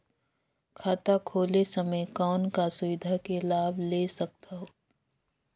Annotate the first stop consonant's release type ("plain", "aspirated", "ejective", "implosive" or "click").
aspirated